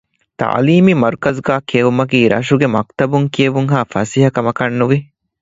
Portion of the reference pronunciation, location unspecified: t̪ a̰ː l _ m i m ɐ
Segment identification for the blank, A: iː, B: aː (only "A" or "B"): A